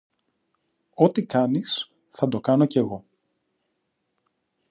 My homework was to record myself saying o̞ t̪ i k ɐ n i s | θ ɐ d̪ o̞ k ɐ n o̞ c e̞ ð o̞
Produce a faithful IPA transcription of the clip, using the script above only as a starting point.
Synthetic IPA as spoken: o̞ t̪ i k ɐ n i s | θ ɐ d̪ o̞ k ɐ n o̞ c e̞ ɣ o̞